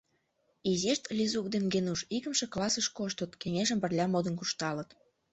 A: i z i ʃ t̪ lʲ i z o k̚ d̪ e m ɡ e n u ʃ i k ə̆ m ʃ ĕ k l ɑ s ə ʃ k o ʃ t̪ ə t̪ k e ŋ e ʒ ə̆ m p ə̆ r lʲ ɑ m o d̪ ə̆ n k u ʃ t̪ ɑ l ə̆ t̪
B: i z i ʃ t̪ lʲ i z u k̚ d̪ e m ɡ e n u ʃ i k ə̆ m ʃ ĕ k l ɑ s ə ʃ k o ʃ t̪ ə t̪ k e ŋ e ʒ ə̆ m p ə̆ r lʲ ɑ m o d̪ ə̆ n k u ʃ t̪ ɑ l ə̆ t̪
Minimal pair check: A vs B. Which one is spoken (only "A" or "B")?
B